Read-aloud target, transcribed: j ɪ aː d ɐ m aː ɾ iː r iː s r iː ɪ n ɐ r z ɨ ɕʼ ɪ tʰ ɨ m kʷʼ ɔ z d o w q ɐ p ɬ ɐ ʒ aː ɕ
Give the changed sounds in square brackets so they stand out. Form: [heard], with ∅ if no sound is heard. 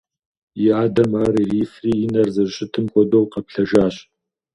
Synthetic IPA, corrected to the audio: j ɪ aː d ɐ m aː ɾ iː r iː [f] r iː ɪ n ɐ r z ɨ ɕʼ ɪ tʰ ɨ m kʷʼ ɔ [∅] d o w q ɐ p ɬ ɐ ʒ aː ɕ